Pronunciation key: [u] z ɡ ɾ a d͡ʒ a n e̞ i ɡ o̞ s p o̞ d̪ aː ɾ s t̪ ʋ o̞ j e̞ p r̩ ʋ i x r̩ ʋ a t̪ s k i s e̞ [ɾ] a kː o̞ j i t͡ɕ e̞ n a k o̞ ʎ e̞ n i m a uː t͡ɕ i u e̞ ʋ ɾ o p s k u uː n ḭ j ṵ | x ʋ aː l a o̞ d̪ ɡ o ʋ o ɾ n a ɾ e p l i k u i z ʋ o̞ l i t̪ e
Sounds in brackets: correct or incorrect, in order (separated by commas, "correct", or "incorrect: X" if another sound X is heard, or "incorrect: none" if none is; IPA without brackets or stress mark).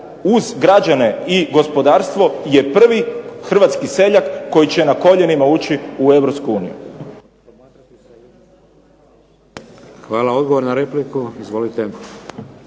correct, incorrect: ʎ